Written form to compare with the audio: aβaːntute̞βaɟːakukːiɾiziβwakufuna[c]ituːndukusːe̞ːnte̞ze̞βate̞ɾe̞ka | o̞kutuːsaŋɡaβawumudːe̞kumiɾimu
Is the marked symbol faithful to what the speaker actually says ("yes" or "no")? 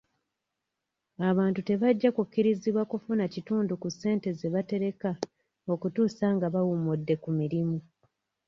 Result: yes